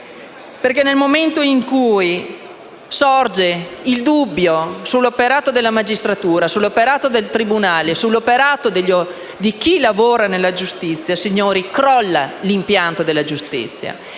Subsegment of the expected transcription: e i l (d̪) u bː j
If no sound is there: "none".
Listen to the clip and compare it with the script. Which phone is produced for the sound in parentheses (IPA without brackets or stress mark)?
d̪